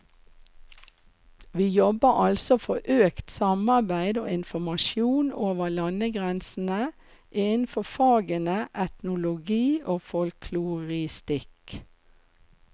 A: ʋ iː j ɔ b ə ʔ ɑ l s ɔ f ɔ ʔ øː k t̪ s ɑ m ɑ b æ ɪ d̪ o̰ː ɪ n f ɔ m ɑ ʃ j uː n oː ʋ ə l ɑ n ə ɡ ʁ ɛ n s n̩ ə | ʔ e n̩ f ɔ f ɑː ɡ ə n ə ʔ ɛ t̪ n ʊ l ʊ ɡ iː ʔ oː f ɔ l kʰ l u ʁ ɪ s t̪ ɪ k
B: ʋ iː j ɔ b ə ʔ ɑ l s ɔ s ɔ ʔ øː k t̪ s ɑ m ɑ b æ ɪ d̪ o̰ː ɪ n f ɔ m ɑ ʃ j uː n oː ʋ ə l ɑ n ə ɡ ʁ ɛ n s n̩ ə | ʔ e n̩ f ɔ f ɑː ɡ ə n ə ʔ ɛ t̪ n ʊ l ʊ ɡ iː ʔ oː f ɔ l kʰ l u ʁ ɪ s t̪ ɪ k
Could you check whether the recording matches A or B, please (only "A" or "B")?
A